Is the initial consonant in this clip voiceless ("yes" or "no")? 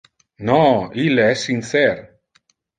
no